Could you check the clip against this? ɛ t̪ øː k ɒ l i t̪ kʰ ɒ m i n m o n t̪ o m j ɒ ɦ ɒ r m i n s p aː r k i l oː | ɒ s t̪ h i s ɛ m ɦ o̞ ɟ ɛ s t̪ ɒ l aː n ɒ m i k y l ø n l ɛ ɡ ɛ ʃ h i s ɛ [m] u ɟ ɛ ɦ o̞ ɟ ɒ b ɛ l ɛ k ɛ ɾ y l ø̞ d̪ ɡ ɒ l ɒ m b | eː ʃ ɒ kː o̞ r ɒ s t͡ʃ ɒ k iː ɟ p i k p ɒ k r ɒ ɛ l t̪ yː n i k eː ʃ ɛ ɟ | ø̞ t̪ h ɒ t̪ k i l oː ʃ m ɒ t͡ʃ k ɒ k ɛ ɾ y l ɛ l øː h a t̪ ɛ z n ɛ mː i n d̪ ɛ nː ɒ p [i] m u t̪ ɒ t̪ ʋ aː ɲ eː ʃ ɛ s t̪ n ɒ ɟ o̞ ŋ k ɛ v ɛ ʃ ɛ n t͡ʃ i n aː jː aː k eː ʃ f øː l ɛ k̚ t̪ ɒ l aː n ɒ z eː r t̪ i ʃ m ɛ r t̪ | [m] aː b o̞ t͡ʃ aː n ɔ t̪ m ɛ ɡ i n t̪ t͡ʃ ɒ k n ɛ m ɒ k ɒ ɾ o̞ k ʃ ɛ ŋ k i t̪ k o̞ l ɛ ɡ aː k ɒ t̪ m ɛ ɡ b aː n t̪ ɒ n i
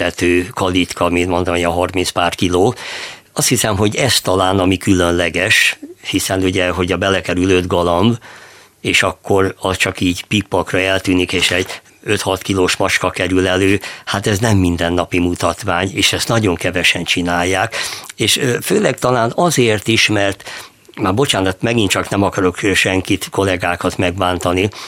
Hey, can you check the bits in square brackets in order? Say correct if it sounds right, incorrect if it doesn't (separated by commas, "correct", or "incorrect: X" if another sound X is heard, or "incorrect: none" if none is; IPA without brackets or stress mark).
incorrect: n, correct, correct